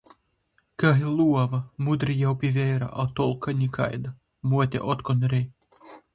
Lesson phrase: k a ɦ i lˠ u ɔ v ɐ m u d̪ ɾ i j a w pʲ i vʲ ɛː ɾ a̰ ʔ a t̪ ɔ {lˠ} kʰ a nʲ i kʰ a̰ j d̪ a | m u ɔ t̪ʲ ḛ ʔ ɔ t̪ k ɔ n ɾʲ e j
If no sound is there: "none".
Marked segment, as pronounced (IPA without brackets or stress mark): lˠ